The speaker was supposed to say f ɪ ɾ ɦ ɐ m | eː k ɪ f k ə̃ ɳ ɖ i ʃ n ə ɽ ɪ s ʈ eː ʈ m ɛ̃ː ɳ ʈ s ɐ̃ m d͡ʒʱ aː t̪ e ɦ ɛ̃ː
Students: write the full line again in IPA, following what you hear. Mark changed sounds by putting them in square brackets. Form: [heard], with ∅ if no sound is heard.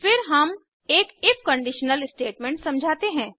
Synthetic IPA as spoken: f ɪ ɾ ɦ ɐ m | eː k ɪ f k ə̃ ɳ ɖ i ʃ n ə [l] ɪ s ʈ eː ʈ m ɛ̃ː ɳ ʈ s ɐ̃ m d͡ʒʱ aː t̪ e ɦ ɛ̃ː